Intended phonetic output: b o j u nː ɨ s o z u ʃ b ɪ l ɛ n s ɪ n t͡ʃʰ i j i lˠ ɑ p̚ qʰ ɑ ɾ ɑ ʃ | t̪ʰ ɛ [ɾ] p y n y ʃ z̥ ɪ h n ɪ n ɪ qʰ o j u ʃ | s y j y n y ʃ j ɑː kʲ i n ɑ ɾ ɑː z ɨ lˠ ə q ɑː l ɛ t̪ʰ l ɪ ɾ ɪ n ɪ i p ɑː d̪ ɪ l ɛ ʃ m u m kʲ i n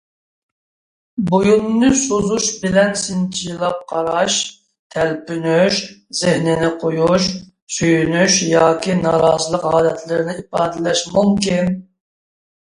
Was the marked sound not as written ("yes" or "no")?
yes